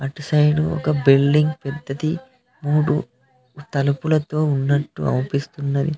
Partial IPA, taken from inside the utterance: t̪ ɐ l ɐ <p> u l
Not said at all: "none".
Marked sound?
p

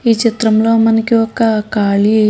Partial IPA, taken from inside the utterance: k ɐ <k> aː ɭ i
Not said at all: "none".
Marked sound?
k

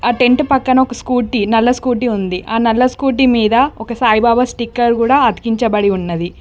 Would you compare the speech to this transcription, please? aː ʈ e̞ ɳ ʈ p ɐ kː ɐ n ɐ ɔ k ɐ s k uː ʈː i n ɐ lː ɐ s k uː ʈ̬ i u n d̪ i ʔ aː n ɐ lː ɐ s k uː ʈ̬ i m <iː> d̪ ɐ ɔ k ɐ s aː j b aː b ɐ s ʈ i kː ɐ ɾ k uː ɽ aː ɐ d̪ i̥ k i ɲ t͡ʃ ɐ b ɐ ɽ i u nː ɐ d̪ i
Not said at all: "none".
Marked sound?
iː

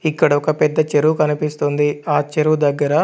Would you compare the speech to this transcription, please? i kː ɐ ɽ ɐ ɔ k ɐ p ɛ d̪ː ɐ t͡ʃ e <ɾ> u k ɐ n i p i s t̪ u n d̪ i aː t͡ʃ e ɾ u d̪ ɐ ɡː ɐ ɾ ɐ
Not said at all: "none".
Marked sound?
ɾ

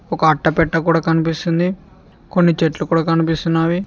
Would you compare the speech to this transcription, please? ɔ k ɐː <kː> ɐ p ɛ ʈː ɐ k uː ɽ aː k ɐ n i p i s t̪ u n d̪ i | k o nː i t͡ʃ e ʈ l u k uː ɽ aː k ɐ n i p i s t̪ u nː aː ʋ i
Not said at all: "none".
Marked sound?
ʈː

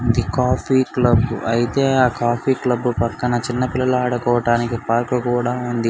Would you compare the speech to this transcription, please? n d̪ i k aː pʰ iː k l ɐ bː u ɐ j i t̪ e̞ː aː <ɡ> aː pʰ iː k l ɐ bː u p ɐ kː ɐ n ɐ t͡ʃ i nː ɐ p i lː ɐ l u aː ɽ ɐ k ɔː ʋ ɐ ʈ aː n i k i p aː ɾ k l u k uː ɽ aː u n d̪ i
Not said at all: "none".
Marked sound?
k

